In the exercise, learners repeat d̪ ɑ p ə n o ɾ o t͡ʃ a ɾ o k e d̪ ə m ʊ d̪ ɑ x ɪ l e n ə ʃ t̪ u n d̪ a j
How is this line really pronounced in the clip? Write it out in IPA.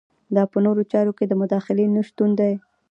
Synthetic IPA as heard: d̪ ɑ p ə n o ɾ o t͡ʃ ɑ ɾ o k e d̪ ə m ʊ d̪ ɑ x ɪ l e n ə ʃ t̪ u n d̪ a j